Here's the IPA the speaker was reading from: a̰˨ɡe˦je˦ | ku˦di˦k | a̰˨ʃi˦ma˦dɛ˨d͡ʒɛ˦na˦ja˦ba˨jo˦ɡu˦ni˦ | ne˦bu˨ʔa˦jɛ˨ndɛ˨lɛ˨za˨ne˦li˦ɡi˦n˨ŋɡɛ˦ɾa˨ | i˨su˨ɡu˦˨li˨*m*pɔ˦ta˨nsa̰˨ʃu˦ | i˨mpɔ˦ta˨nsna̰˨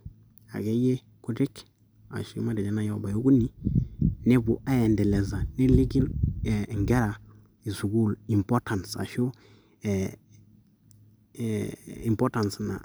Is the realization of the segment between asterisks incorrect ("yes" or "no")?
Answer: no